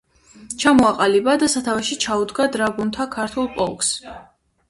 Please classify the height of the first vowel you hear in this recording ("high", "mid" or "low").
low